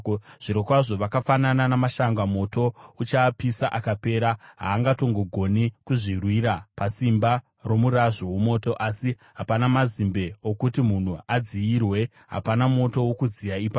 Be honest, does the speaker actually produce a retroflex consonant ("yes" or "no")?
yes